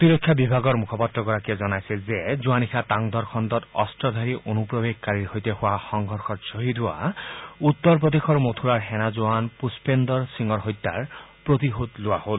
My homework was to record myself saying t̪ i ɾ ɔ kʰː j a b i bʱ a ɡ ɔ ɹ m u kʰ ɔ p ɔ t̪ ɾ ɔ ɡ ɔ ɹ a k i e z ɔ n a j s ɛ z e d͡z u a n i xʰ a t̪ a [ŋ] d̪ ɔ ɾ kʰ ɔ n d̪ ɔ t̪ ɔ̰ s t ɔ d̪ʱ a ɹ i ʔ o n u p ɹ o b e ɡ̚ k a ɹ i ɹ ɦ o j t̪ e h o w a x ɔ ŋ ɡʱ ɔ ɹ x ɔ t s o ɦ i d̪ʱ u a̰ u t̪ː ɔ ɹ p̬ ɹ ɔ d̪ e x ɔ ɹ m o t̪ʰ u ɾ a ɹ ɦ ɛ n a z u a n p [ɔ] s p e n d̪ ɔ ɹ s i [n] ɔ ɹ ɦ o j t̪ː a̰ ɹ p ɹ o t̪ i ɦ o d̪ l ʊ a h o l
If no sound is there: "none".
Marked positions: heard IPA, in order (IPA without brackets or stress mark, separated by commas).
ŋ, u, ŋ